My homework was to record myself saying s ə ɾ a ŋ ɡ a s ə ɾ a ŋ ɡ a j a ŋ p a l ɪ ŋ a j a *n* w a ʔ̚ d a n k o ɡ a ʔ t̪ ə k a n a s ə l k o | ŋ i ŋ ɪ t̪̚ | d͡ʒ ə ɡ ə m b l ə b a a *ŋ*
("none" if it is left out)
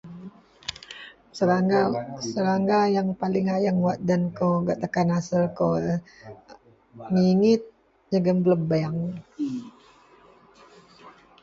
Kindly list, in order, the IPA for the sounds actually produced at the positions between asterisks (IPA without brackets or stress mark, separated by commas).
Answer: ŋ, ŋ